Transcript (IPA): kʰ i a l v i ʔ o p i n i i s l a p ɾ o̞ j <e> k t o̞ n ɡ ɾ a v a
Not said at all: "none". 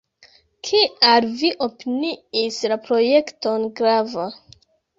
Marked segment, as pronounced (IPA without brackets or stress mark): e